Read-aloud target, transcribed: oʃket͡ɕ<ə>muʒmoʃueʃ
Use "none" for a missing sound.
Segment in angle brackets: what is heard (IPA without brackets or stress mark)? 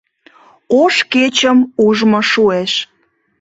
ə